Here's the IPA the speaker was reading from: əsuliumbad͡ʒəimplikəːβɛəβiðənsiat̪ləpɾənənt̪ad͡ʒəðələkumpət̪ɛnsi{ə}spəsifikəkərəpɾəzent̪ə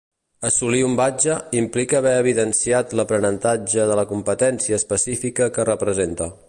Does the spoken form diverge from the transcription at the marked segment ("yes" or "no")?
yes